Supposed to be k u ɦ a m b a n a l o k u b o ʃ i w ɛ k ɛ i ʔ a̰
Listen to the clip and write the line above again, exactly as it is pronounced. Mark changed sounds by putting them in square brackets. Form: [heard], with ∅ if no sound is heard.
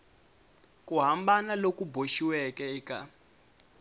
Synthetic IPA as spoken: k u ɦ a m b a n a l o k u b o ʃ i w ɛ k ɛ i [k] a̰

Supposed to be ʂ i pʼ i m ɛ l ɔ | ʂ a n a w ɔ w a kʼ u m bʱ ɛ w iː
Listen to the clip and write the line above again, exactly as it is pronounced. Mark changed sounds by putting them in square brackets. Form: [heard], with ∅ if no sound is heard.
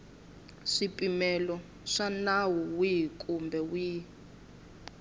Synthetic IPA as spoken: ʂ i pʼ i m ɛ l ɔ | ʂ a n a w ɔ w [i] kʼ u m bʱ ɛ w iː

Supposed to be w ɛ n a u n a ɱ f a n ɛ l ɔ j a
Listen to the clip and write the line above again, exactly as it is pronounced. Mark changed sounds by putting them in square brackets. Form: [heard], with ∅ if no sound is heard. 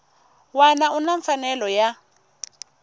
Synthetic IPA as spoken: w [a] n a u n a ɱ f a n ɛ l ɔ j a

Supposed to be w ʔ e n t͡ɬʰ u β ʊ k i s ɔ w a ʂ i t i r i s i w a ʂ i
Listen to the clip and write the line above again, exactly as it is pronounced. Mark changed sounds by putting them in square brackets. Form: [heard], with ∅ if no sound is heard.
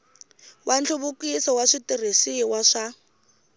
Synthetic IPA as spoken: w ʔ [a] n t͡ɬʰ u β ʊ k i s ɔ w a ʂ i t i r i s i w a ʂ [a]

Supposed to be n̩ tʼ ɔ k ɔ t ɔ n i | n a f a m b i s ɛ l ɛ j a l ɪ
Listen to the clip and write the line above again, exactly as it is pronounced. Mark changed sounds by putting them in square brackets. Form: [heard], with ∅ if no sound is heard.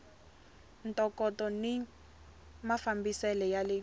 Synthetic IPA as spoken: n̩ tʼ ɔ k ɔ t ɔ n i | [m] a f a m b i s ɛ l ɛ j a l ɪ

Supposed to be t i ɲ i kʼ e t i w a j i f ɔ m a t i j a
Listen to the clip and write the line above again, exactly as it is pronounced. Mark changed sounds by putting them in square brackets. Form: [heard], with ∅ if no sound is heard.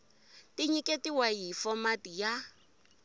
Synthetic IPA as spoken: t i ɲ i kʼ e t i w a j i f ɔ m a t i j a

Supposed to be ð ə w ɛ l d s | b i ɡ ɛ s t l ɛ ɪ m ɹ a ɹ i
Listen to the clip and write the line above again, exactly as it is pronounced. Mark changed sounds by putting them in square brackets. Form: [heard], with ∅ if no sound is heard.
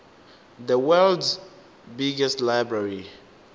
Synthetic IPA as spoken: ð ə w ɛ l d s | b i ɡ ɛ s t l [a] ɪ [b] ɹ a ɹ i

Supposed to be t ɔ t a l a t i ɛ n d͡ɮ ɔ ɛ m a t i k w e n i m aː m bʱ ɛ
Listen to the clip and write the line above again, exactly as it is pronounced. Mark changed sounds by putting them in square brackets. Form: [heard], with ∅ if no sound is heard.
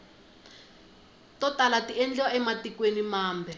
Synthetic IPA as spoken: t ɔ t a l a t i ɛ n d͡ɮ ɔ ɛ m a t i k w e n i m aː m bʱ ɛ

